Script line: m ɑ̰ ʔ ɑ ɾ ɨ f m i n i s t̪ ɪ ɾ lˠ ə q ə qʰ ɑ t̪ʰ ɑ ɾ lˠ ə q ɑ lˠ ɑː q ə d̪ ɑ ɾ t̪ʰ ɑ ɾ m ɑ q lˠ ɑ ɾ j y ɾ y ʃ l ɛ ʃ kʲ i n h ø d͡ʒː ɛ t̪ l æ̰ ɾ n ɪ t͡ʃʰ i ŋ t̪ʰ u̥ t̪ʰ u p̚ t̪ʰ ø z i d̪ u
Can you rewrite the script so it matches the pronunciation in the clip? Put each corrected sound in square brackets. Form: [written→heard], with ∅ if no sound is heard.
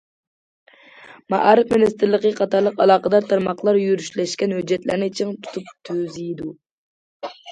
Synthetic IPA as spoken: m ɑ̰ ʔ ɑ ɾ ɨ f m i n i s t̪ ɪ ɾ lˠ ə q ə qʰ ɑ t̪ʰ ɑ ɾ lˠ ə q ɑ lˠ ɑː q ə d̪ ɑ ɾ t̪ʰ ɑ ɾ m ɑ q lˠ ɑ ɾ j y ɾ y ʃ l ɛ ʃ kʲ [i→ɛ] n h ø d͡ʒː ɛ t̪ l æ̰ ɾ n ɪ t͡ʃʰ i ŋ t̪ʰ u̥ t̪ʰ u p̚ t̪ʰ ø z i d̪ u